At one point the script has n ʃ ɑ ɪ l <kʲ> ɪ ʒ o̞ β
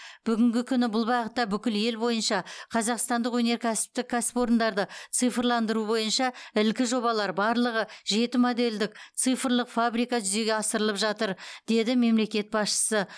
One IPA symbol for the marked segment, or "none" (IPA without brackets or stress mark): kʲ